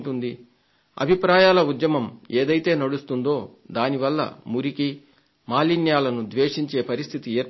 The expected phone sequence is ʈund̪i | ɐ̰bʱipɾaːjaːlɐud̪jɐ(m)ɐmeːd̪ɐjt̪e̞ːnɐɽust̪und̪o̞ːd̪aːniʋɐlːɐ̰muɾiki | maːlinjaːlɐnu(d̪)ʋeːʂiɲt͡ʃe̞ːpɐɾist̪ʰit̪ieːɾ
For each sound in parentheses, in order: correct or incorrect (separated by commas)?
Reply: correct, correct